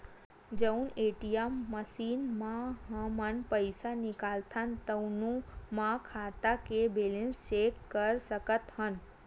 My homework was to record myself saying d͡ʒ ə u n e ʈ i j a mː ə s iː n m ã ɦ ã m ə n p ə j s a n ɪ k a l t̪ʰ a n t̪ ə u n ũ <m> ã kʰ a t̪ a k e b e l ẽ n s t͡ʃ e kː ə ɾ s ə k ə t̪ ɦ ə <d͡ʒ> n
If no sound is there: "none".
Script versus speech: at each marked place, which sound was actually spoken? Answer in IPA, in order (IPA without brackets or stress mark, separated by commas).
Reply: m, none